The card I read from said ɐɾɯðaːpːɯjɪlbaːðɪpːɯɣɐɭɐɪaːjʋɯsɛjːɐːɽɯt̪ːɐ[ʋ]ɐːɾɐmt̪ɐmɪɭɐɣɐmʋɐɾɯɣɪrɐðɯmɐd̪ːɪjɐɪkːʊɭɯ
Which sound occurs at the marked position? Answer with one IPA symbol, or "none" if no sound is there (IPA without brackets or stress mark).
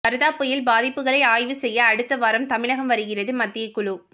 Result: ʋ